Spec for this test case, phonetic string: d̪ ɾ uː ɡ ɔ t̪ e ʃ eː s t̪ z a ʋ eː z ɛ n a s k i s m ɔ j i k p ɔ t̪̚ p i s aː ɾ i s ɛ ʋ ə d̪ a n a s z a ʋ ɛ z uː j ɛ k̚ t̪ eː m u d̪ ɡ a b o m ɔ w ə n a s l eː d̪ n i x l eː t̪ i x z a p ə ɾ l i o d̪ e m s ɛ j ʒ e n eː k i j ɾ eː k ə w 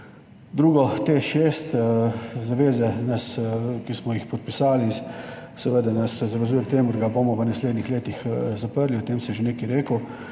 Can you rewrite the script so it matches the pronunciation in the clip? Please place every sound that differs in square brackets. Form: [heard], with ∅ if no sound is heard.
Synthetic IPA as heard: d̪ ɾ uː ɡ ɔ t̪ e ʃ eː s t̪ z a ʋ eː z ɛ n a s k i s m ɔ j i [x] p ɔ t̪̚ p i s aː [l] i s ɛ ʋ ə d̪ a n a s z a ʋ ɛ z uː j ɛ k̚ t̪ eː m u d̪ ɡ a b o m ɔ [ʋ] ə n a s l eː d̪ n i x l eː t̪ i x z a p ə ɾ l i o [t̪] e m s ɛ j ʒ e n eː k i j ɾ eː k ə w